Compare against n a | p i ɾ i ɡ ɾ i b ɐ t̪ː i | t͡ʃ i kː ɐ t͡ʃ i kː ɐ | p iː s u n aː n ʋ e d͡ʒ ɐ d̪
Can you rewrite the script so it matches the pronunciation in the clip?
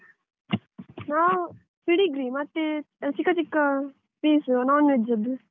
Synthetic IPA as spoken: n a | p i ɽ i ɡ ɾ i m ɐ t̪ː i | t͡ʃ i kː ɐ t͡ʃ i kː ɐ | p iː s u n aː n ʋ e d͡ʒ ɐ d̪

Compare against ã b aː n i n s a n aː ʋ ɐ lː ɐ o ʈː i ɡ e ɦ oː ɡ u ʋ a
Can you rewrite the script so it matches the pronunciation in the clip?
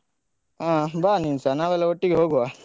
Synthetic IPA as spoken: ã b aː n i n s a n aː ʋ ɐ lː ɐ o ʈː i ɡ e ɦ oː ɡ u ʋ a

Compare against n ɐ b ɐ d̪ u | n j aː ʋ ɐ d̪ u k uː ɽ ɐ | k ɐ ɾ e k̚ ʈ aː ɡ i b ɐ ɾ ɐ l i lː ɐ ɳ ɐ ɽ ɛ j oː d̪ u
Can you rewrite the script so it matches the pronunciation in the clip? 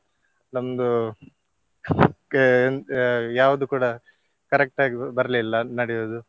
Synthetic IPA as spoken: n ɐ m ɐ d̪ u | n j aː ʋ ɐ d̪ u k uː ɽ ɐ | k ɐ ɾ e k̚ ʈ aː ɡ i b ɐ ɾ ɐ l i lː ɐ n ɐ ɽ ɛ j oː d̪ u

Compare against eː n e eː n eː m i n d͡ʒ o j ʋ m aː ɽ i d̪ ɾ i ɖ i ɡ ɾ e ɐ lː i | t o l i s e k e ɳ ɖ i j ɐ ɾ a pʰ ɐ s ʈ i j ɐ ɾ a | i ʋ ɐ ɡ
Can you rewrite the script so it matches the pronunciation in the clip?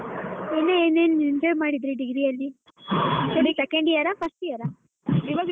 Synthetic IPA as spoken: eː n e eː n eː n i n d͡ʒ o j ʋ m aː ɽ i d̪ ɾ i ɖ i ɡ ɾ i ɐ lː i | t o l i s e k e ɳ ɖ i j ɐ ɾ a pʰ ɐ s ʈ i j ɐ ɾ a | i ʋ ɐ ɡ

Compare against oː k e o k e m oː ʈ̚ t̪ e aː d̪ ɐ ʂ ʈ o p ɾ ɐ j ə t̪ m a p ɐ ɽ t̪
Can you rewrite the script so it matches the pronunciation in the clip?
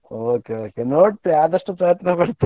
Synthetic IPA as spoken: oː k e o k e n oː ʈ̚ t̪ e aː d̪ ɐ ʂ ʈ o p ɾ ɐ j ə t̪ n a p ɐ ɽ t̪

